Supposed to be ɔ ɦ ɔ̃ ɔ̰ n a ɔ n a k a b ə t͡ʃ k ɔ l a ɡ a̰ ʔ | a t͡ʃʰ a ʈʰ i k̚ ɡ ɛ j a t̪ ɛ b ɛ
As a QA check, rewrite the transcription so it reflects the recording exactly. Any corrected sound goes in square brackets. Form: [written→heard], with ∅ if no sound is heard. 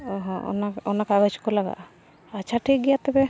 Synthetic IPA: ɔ ɦ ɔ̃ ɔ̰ n a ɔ n a k a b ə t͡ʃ k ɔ l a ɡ a̰ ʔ | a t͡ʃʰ a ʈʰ i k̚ ɡ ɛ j a t̪ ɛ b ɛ